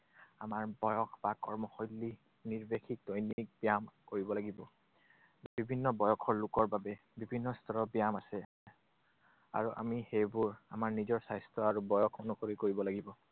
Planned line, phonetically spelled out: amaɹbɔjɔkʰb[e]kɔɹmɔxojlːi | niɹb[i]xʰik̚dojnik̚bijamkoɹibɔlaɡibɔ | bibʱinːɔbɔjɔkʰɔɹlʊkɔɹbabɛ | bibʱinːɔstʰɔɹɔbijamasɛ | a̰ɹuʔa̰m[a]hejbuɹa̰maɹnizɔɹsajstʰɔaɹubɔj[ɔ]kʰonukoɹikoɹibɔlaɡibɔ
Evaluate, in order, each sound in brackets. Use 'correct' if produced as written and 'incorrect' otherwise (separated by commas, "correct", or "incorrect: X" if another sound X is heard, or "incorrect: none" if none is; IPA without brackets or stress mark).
incorrect: a, incorrect: e, incorrect: i, correct